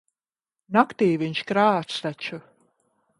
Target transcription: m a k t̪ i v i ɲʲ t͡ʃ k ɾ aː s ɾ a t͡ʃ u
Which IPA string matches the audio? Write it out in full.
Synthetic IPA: n a k t̪ iː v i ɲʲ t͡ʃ k ɾ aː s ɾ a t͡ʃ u